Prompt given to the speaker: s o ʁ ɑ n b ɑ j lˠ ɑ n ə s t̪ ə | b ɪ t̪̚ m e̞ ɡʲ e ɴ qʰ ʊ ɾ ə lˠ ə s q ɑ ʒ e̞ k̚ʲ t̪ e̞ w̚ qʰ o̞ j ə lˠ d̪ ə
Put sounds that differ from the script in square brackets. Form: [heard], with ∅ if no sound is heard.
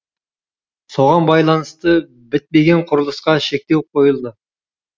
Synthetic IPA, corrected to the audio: s o ʁ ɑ n b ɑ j lˠ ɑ n ə s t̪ ə | b ɪ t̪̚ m e̞ ɡʲ e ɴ qʰ ʊ ɾ ə lˠ ə s q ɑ [ʃ] e̞ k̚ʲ t̪ e̞ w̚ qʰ o̞ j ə lˠ d̪ ə